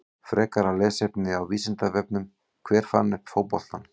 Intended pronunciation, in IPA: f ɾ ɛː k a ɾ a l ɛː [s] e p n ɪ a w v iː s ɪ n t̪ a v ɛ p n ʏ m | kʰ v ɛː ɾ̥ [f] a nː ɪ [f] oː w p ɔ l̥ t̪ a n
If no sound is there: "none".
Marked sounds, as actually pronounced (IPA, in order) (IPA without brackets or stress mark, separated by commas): s, f, f